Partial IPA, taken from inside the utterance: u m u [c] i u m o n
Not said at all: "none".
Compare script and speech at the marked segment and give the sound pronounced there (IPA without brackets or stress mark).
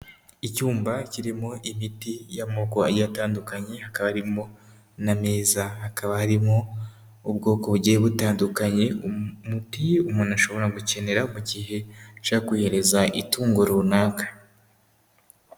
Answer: t